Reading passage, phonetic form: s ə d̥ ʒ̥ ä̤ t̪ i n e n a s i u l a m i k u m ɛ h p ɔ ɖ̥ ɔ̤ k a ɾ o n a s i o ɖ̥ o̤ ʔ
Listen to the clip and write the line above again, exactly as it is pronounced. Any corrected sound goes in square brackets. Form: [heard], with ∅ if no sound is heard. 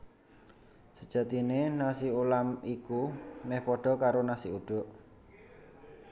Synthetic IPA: s ə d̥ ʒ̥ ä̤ t̪ i n e n a s i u l a m i k u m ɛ h p ɔ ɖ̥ ɔ̤ k a ɾ o n a s i [u] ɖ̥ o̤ ʔ